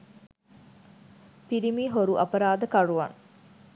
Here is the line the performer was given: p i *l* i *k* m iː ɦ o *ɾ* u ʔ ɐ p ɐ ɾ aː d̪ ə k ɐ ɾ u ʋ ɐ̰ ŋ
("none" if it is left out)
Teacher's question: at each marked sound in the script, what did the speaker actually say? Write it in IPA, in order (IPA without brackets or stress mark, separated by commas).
ɾ, none, ɾ